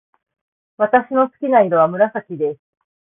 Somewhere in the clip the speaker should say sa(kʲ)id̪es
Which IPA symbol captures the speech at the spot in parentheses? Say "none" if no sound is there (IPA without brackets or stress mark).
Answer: kʲ